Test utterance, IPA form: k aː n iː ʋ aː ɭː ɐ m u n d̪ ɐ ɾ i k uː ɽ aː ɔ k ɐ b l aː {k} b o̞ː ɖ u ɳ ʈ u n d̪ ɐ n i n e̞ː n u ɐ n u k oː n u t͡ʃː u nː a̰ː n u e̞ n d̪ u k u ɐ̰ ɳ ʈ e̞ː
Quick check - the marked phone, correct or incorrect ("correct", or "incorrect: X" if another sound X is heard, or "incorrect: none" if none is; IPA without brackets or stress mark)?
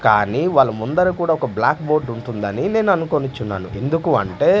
correct